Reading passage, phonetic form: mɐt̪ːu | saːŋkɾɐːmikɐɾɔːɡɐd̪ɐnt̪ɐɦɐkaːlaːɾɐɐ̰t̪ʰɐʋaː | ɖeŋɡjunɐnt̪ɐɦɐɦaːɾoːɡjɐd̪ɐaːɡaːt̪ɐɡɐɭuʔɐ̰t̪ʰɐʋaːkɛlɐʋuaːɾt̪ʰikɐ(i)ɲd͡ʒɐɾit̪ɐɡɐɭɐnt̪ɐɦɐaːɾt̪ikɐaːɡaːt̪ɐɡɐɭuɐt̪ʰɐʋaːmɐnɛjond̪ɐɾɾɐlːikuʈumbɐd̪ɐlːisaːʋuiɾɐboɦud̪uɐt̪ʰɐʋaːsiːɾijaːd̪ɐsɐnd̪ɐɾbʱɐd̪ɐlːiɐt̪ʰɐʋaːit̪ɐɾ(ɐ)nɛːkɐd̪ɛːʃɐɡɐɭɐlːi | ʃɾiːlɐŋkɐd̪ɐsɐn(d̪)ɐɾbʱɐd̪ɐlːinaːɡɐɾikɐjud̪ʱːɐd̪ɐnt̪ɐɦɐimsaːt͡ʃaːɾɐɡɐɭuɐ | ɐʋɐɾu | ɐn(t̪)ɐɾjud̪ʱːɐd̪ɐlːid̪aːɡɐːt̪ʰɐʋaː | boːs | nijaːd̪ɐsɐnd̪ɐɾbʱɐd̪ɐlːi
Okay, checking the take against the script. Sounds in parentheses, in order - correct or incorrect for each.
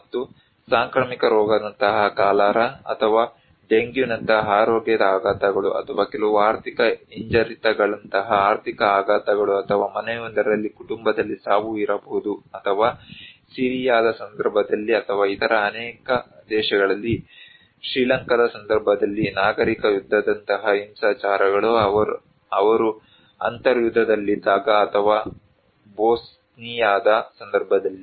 correct, incorrect: ɐː, correct, correct

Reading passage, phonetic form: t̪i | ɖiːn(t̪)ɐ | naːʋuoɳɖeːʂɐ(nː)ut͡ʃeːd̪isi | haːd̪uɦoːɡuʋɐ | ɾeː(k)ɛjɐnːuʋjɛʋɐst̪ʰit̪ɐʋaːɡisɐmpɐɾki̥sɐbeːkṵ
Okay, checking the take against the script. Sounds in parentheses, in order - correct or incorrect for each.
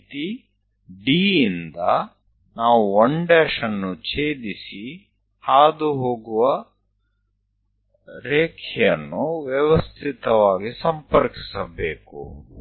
incorrect: d̪, correct, incorrect: kʰ

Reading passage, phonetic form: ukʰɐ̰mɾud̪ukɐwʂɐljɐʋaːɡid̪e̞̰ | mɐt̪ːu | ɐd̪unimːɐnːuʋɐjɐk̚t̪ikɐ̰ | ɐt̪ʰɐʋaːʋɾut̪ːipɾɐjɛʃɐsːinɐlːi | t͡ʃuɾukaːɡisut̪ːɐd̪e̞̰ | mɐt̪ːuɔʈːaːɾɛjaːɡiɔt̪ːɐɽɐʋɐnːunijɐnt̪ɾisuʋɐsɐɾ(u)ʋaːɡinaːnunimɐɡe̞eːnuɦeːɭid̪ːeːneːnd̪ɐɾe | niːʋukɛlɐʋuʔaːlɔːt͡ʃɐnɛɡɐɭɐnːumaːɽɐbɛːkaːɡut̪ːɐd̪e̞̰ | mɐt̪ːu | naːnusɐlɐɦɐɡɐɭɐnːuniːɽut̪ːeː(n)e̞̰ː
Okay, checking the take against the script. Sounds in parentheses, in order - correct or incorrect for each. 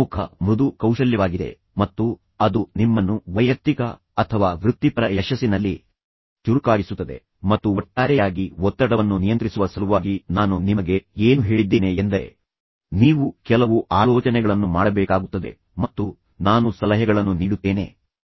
correct, correct

